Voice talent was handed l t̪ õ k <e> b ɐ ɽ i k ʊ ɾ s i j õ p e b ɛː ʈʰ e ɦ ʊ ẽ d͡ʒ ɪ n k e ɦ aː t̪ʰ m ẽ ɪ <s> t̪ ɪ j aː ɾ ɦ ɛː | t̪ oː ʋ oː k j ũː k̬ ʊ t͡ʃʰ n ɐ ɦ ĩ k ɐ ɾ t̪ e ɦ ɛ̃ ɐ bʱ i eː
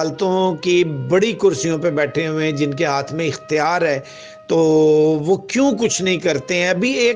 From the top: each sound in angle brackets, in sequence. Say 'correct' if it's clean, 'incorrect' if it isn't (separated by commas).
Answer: incorrect, incorrect